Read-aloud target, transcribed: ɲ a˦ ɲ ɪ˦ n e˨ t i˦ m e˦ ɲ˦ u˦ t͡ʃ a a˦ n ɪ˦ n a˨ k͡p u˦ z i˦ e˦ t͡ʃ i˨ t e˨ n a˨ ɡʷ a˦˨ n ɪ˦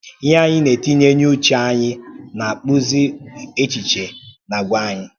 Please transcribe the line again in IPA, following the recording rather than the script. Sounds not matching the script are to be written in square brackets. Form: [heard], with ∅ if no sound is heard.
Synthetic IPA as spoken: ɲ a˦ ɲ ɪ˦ n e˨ t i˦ [ɲ] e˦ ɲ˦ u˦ t͡ʃ a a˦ [ɲ] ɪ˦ n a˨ k͡p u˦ z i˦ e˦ t͡ʃ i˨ [t͡ʃ] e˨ n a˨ ɡʷ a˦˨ [ɲ] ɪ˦